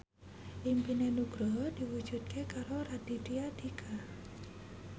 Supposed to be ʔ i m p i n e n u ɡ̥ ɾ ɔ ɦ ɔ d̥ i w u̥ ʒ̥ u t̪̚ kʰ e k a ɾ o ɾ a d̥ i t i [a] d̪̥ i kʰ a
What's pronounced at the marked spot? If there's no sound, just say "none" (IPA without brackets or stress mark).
a